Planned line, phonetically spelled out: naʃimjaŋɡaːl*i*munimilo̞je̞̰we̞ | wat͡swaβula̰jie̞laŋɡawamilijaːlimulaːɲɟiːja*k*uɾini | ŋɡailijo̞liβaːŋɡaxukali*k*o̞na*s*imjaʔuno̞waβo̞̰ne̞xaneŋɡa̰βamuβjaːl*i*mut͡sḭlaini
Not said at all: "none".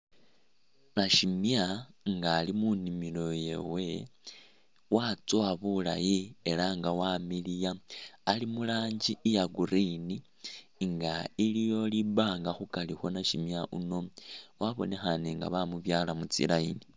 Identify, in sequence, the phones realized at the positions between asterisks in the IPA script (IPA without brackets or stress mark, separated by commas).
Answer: i, ɡ, x, ʃ, a